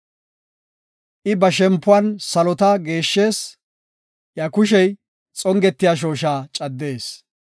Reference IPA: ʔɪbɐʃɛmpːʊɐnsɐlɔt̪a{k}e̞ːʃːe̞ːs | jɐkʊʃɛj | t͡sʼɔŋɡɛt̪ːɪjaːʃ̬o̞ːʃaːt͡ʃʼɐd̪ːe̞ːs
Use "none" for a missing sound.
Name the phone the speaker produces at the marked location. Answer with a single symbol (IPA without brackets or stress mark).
ɡ